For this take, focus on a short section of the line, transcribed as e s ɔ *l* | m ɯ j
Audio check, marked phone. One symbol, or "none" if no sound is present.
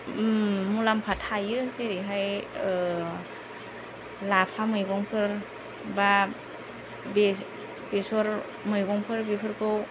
ɾ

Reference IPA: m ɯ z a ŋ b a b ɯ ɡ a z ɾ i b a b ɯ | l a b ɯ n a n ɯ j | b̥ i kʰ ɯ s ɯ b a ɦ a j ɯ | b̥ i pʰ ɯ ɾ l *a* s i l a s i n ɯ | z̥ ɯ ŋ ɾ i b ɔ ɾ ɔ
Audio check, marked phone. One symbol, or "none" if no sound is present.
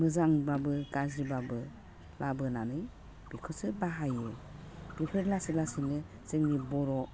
a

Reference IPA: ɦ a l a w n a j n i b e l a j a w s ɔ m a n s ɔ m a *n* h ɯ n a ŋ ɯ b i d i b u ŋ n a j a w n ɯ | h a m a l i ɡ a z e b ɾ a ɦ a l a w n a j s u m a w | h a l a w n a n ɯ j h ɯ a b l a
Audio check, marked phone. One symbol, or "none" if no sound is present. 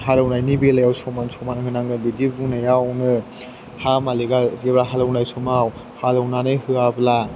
n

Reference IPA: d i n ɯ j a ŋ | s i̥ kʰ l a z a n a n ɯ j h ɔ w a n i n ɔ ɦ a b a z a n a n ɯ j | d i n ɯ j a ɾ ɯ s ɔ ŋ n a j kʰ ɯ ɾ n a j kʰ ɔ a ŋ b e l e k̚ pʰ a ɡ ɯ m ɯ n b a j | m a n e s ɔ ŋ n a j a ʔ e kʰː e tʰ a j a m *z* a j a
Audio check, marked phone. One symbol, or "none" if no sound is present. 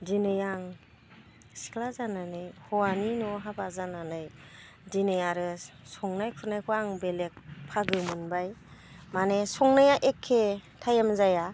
z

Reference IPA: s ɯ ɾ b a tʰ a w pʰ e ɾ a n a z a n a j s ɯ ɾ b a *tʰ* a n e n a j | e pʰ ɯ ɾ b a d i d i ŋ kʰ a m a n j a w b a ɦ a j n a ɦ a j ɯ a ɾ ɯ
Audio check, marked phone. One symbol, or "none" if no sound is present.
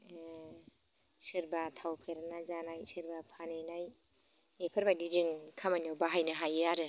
pʰ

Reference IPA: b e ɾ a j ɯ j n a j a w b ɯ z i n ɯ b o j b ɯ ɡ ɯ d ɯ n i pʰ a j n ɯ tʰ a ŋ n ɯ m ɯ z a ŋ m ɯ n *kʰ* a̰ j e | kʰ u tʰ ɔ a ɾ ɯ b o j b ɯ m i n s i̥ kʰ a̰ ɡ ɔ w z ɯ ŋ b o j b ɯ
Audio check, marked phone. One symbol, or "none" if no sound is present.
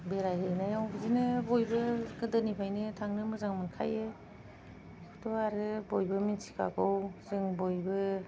kʰ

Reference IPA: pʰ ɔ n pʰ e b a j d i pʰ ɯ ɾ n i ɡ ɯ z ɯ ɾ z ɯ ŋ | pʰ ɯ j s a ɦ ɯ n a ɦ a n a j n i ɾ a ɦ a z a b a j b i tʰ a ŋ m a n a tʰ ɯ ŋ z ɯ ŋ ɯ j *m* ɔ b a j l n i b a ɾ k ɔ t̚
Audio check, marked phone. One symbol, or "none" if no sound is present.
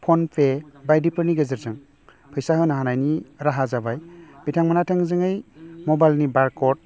m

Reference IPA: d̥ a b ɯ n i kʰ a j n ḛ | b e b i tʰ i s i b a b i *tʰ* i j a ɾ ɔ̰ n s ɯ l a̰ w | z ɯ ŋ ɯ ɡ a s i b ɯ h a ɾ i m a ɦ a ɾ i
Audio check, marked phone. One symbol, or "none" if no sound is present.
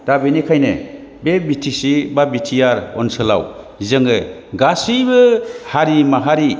tʰ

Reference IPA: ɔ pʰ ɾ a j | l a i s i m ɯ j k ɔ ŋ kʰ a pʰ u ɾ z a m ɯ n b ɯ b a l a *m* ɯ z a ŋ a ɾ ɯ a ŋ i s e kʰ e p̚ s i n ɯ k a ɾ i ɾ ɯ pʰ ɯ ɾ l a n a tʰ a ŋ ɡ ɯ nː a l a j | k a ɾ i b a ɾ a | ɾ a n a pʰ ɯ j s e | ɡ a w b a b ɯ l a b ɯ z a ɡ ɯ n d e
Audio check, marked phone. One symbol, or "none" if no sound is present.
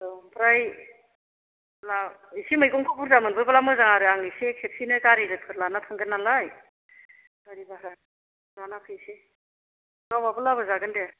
m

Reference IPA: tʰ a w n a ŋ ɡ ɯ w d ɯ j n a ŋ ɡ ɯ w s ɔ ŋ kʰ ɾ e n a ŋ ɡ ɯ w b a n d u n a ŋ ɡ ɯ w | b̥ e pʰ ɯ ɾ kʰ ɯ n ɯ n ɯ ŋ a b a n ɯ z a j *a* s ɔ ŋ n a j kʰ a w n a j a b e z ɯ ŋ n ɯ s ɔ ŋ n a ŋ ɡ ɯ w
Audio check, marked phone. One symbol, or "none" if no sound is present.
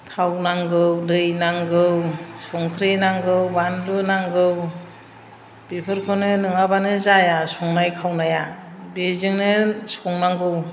a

